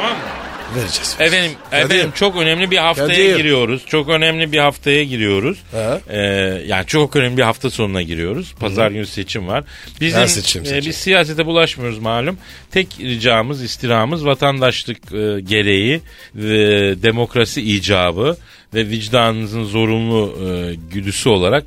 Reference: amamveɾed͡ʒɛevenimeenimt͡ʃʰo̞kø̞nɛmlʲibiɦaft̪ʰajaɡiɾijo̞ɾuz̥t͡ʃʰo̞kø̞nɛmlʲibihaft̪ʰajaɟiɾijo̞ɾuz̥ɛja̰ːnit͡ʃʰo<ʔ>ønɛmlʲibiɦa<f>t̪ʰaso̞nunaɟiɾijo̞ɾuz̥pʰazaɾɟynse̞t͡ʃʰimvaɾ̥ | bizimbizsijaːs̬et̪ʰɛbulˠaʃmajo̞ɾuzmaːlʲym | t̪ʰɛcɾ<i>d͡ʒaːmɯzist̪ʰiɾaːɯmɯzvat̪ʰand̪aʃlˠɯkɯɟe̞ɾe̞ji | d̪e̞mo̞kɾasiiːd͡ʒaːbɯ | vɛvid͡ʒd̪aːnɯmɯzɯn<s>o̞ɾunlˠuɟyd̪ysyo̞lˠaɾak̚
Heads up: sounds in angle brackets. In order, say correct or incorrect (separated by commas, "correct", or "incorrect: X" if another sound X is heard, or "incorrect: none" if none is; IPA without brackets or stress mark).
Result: incorrect: k, correct, correct, incorrect: z